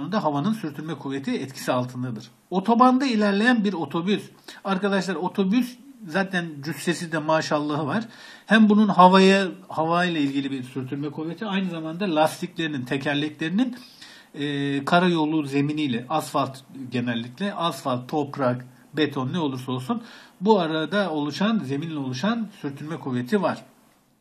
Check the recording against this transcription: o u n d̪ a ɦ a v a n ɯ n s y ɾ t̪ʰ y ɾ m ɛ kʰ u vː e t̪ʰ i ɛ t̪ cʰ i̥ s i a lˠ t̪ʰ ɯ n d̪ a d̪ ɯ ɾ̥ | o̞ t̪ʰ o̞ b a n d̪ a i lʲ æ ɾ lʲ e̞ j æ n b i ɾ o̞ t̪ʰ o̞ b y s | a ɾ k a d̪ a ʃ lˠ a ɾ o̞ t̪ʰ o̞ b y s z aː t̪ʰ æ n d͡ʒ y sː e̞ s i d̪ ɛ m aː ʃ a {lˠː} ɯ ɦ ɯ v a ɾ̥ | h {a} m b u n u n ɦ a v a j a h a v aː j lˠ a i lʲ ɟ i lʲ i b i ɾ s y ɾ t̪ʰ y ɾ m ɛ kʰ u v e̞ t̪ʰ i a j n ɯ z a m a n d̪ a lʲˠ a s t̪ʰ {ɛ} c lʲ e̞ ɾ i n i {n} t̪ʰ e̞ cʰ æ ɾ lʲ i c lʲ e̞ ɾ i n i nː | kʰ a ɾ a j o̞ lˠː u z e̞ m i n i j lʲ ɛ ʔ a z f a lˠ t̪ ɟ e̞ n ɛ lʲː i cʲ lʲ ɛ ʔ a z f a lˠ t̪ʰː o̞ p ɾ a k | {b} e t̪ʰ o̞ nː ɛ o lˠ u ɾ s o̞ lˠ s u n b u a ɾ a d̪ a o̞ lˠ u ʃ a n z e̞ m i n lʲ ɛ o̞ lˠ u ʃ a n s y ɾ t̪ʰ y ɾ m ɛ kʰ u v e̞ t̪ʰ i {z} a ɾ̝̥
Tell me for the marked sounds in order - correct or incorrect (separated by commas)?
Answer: correct, incorrect, incorrect, correct, correct, incorrect